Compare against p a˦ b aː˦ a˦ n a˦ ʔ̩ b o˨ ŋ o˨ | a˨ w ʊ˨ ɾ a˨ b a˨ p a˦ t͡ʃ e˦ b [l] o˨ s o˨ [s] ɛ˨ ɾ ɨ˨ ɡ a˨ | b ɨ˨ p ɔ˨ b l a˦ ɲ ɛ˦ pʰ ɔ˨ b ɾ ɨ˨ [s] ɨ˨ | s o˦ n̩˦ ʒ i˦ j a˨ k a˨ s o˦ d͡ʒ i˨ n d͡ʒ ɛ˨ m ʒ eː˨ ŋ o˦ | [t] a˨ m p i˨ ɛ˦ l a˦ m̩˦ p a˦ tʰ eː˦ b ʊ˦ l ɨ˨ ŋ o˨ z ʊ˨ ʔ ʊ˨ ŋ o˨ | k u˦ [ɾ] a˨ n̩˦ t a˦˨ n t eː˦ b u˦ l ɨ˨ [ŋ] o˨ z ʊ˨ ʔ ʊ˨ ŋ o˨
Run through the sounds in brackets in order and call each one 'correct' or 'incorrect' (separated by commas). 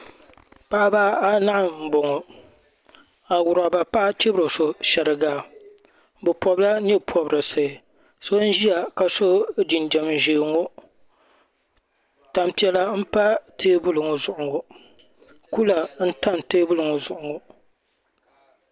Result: incorrect, incorrect, correct, correct, incorrect, correct